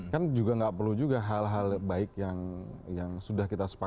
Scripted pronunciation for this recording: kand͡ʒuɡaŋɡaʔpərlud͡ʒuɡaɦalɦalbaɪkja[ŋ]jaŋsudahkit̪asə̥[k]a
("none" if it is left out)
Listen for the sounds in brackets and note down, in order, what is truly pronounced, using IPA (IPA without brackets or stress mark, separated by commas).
ŋ, p